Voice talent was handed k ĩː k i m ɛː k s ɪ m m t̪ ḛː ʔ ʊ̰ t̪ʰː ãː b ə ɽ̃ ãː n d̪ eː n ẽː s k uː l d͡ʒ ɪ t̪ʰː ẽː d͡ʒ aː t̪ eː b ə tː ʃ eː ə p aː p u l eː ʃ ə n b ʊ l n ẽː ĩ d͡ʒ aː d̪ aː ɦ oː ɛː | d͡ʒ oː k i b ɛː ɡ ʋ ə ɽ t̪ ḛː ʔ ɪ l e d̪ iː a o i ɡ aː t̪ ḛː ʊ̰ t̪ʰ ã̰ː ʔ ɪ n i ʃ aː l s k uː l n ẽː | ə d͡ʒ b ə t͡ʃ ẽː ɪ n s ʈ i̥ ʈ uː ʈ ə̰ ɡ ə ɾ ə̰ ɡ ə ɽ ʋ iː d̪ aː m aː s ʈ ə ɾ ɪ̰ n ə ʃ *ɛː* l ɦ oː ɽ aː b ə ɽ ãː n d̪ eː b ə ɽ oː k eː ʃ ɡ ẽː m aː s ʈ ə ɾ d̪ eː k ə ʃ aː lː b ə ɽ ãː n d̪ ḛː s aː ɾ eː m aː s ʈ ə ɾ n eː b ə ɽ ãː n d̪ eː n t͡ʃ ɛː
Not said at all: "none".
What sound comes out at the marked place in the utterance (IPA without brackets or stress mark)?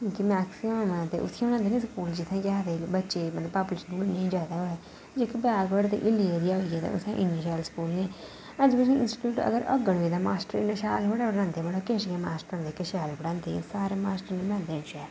aː